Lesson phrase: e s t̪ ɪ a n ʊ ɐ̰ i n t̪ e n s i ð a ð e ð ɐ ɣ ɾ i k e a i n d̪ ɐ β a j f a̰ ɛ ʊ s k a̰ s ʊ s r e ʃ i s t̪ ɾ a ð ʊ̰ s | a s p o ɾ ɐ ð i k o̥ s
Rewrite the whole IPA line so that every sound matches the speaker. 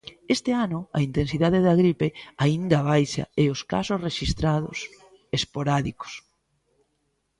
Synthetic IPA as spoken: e s t̪ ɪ a n ʊ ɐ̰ i n t̪ e n s i ð a ð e ð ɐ ɣ ɾ i p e a i n d̪ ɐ β a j ʃ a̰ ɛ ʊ s k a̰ s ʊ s r e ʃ i s t̪ ɾ a ð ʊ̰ s | e s p o ɾ a ð i k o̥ s

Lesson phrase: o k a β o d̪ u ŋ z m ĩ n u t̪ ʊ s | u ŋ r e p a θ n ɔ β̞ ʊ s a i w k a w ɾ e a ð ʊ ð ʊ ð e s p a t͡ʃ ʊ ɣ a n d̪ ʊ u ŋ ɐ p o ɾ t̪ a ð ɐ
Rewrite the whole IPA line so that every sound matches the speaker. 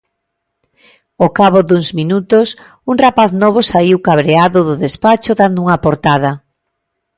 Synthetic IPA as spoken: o k a β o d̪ u ŋ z m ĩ n u t̪ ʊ s | u ŋ r a p a θ n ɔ β̞ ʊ s a i w k a β ɾ e a ð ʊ ð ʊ ð e s p a t͡ʃ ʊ ð a n d̪ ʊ u ŋ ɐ p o ɾ t̪ a ð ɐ

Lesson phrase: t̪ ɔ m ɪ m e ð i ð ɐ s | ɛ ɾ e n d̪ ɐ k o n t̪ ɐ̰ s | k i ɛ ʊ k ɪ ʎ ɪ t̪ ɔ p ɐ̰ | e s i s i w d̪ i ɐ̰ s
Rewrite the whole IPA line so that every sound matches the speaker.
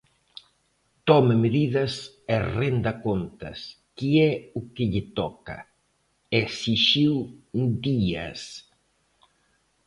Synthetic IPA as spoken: t̪ ɔ m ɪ m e ð i ð ɐ s | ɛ r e n d̪ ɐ k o n t̪ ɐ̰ s | k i ɛ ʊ k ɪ ʎ ɪ t̪ ɔ k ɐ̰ | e s i ʃ i w d̪ i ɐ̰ s

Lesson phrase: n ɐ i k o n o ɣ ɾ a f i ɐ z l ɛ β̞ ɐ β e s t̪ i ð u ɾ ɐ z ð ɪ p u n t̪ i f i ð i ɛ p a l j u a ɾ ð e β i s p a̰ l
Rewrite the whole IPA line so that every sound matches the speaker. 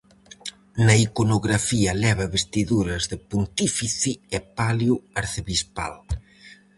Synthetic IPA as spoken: n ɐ i k o n o ɣ ɾ a f i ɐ l ɛ β̞ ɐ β e s t̪ i ð u ɾ ɐ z ð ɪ p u n t̪ i f i θ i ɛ p a l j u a ɾ θ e β i s p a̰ l

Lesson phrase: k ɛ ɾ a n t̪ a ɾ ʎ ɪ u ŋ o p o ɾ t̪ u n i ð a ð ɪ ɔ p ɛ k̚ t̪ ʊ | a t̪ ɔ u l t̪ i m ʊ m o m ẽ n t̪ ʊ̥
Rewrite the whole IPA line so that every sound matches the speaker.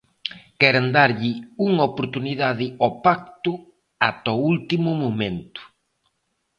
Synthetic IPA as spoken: k ɛ ɾ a n d̪ a ɾ ʎ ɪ u ŋ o p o ɾ t̪ u n i ð a ð ɪ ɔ p a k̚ t̪ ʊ | a t̪ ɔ u l t̪ i m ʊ m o m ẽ n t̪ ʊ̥

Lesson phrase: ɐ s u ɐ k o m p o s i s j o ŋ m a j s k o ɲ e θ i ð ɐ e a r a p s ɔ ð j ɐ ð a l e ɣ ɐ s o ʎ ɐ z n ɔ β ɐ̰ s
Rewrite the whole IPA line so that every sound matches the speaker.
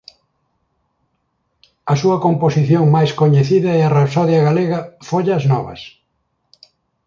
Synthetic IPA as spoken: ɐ s u ɐ k o m p o s i θ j o ŋ m a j s k o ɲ e θ i ð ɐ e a r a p s ɔ ð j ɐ ɣ a l e ɣ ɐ f o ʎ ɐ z n ɔ β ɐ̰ s

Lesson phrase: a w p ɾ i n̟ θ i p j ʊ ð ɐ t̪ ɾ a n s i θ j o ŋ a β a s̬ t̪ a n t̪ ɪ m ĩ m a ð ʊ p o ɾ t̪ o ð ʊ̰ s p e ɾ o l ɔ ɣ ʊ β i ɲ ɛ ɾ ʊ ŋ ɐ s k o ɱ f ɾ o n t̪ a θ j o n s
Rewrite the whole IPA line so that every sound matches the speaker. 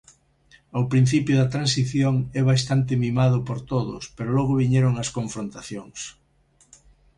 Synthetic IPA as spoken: a w p ɾ i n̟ θ i p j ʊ ð ɐ t̪ ɾ a n s i θ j o ŋ ɛ β a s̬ t̪ a n t̪ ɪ m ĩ m a ð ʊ p o ɾ t̪ o ð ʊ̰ s p e ɾ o l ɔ ɣ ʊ β i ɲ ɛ ɾ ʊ ŋ ɐ s k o ɱ f ɾ o n t̪ a θ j o ŋ s

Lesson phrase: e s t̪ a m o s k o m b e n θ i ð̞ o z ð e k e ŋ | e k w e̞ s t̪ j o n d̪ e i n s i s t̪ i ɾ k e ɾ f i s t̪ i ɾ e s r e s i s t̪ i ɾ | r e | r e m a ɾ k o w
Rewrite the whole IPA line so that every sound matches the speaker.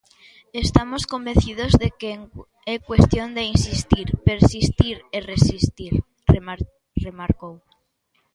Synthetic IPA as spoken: e s t̪ a m o s k o m b e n θ i ð̞ o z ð e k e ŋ | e k w e̞ s t̪ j o n d̪ e i n s i s t̪ i ɾ p e ɾ s i s t̪ i ɾ e r e s i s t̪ i ɾ | r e | r e m a ɾ k o w

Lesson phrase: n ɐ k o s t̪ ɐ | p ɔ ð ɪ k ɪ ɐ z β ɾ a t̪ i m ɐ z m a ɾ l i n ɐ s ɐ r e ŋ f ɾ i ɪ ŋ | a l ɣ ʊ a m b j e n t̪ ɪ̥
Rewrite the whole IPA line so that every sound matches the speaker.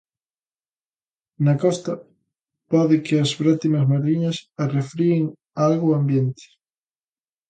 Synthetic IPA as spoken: n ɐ k ɔ s t̪ ɐ | p ɔ ð ɪ k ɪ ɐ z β ɾ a t̪ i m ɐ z m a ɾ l i ɲ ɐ s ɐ r e f ɾ i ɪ ŋ | a l ɣ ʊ a m b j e n t̪ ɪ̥

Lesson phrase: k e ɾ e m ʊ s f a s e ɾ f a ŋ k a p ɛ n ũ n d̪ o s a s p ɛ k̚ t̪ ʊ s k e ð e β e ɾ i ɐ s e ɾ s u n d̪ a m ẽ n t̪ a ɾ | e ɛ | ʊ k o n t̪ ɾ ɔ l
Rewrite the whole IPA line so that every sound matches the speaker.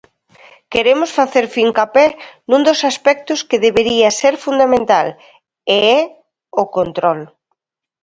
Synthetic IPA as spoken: k e ɾ e m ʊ s f a θ e ɾ f i ŋ k a p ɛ n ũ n d̪ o s a s p ɛ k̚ t̪ ʊ s k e ð e β e ɾ i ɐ s e ɾ f u n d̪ a m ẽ n t̪ a l | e ɛ | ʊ k o n t̪ ɾ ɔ l

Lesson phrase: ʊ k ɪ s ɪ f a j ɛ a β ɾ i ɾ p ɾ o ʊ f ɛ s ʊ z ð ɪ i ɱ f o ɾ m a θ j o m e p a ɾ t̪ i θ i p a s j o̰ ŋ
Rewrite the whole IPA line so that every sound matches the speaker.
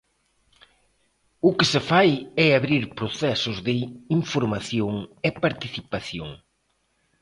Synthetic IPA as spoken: ʊ k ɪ s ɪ f a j ɛ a β ɾ i ɾ p ɾ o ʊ θ ɛ s ʊ z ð ɪ i ɱ f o ɾ m a θ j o ŋ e p a ɾ t̪ i θ i p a θ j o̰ ŋ

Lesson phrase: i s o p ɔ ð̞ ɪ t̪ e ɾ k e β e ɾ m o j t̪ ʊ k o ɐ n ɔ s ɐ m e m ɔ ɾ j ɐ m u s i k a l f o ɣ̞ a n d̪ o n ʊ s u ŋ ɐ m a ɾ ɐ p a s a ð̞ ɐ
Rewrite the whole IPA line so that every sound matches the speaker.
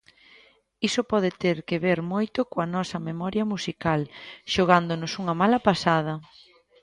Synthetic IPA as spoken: i s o p ɔ ð̞ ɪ t̪ e ɾ k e β e ɾ m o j t̪ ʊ k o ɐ n ɔ s ɐ m e m ɔ ɾ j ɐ m u s i k a l ʃ o ɣ̞ a n d̪ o n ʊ s u ŋ ɐ m a l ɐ p a s a ð̞ ɐ

